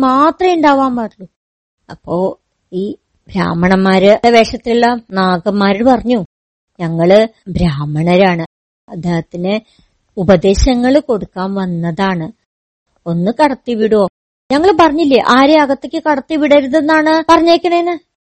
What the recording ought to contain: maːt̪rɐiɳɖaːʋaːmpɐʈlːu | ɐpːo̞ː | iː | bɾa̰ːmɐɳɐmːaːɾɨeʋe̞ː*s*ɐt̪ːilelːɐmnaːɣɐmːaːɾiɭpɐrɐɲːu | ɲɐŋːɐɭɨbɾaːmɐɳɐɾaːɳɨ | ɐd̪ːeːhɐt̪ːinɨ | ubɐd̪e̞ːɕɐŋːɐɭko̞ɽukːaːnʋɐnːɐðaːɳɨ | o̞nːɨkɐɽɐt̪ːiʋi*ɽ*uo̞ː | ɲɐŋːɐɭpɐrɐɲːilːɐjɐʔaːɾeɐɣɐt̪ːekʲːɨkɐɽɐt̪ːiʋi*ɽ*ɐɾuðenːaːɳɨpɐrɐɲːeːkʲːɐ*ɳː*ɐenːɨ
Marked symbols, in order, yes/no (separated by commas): no, yes, yes, no